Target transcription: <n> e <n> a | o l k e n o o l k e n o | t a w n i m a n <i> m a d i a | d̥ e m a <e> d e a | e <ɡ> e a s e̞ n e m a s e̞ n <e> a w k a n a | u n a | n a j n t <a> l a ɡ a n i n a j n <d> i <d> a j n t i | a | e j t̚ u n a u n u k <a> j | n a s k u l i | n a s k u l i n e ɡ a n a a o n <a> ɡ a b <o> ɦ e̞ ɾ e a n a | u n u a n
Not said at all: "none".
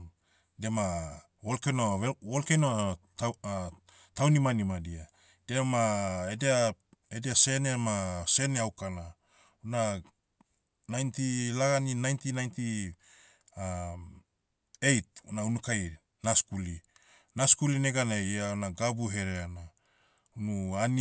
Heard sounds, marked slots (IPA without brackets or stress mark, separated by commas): d, m, i, e, d, e, i, t, n, a, a, u